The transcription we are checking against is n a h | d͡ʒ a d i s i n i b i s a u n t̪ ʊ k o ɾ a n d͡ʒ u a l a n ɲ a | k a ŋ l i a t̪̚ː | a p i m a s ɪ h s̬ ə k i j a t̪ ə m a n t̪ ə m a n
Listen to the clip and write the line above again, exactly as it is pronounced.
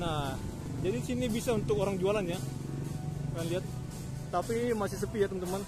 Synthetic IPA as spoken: n a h | d͡ʒ a d i s i n i b i s a u n t̪ ʊ k o ɾ a ŋ d͡ʒ u a l a n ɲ a | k a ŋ l i a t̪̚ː | a p i m a s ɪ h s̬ ə p i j a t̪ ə m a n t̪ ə m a n